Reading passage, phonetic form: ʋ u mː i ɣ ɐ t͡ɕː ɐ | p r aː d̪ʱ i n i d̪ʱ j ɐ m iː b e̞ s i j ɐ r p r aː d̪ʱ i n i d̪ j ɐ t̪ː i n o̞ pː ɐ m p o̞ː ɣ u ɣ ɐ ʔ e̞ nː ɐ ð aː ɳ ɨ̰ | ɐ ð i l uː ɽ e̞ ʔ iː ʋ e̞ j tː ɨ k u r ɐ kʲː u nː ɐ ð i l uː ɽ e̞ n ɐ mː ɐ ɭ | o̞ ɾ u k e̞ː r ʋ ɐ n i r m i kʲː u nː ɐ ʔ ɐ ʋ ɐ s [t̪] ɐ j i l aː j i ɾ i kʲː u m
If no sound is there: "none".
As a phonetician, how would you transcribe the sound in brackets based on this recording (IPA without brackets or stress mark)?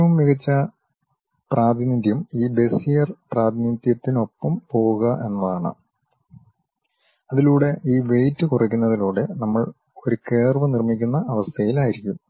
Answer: t̪ʰ